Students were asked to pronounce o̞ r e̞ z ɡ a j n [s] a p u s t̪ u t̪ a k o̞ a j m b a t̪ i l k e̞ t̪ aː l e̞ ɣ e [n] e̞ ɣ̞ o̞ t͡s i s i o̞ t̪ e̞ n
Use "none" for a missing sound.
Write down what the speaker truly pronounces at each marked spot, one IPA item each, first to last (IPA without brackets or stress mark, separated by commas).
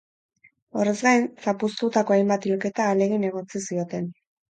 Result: s, n